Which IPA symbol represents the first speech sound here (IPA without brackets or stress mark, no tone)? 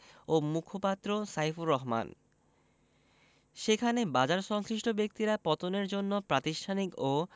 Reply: o